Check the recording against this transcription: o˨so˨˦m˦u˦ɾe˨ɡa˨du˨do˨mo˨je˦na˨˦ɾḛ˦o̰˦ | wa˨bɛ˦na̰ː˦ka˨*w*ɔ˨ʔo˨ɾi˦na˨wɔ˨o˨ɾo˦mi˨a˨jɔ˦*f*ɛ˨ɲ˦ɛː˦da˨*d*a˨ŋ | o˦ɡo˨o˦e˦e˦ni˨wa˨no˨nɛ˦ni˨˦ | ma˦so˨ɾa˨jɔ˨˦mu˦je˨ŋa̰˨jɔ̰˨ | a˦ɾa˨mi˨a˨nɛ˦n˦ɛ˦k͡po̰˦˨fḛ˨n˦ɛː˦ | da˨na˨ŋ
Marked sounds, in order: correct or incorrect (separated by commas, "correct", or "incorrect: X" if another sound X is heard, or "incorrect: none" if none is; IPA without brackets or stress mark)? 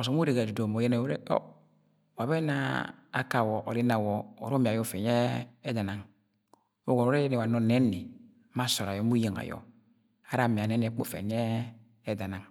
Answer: correct, correct, incorrect: n